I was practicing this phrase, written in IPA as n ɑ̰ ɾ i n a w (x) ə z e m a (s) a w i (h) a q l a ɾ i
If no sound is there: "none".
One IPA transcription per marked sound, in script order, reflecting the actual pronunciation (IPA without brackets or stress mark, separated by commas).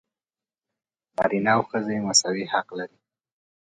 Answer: x, s, h